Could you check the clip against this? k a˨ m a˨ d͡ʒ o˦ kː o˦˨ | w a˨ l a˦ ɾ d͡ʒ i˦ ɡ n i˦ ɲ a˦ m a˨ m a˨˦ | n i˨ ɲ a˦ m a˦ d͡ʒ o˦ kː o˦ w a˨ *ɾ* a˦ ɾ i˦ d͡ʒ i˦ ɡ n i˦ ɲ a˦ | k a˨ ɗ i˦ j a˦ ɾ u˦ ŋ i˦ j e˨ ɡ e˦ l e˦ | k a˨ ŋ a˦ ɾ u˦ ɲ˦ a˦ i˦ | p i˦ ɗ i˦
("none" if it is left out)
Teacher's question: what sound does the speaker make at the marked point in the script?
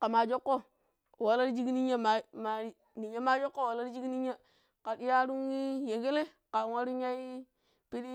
l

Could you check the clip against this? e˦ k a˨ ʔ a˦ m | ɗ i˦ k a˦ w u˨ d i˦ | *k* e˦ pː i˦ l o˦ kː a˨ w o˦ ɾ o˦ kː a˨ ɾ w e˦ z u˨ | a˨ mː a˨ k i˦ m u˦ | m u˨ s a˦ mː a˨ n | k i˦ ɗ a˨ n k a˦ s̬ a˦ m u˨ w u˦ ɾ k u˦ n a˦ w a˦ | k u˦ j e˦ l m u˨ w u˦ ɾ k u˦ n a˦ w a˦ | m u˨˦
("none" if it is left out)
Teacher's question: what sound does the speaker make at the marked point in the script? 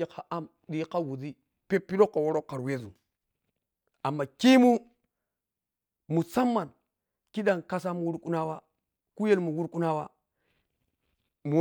p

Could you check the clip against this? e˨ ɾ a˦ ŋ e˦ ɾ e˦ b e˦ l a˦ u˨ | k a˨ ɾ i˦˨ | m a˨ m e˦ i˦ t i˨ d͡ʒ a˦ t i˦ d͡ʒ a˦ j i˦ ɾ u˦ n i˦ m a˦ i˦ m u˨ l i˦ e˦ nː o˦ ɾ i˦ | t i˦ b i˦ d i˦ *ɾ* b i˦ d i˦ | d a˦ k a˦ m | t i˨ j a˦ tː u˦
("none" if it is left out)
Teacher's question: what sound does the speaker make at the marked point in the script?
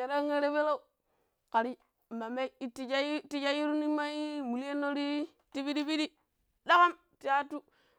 none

